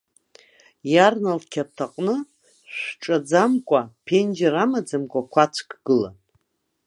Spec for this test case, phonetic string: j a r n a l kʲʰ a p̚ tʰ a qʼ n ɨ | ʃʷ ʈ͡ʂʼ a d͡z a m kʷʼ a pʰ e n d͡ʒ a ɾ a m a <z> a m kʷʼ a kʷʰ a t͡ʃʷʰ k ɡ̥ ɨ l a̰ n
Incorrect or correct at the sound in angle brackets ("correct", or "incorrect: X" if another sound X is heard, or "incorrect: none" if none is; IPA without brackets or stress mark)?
incorrect: d͡z